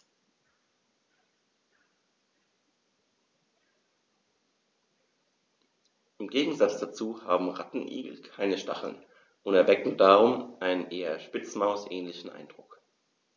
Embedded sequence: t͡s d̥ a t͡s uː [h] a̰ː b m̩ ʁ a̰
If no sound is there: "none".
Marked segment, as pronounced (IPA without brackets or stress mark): h